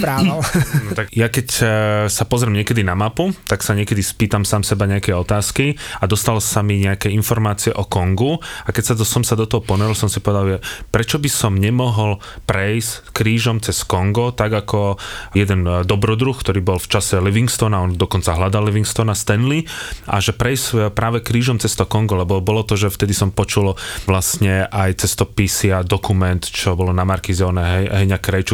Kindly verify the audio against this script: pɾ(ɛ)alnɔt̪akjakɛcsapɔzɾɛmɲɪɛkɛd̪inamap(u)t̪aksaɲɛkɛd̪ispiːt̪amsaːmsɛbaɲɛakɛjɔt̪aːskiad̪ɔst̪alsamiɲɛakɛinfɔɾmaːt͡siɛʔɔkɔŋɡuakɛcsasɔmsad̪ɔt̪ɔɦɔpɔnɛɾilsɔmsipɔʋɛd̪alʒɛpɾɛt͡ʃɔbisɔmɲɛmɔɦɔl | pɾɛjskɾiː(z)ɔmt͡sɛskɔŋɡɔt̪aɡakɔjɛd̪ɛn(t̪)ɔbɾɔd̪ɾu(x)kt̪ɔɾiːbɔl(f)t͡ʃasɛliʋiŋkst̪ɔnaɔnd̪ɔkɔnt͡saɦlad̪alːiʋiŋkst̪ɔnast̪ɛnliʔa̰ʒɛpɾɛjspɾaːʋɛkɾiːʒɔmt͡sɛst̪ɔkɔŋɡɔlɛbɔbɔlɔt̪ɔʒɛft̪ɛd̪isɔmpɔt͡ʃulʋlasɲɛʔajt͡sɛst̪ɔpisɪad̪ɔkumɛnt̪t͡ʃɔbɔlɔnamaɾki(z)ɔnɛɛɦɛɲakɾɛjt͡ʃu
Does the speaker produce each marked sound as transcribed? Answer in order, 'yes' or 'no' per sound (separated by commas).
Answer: no, yes, no, no, yes, yes, yes